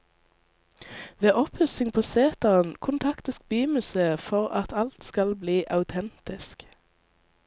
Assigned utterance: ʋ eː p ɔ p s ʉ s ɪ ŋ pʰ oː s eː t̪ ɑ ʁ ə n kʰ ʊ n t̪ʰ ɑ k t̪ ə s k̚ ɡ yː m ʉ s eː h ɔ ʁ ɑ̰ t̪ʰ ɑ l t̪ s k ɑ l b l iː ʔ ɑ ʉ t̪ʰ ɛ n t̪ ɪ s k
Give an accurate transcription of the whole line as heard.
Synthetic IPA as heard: ʋ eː ʔ ɔ p h ʉ s ɪ ŋ pʰ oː s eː t̪ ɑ ʁ ə n kʰ ʊ n t̪ʰ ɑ k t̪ ə s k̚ b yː m ʉ s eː f ɔ ʁ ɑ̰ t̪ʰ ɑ l t̪ s k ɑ l b l iː ʔ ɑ ʉ t̪ʰ ɛ n t̪ ɪ s k